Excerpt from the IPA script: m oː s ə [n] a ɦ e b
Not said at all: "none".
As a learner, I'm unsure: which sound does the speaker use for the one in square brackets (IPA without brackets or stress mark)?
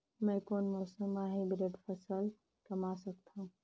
m